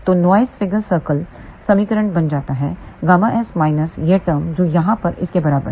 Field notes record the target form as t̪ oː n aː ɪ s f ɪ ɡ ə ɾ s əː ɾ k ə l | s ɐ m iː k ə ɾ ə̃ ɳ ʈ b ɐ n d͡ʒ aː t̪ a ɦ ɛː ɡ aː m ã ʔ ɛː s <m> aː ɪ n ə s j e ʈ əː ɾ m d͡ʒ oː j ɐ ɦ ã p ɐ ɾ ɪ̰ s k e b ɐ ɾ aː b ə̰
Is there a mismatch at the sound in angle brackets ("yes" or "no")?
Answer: no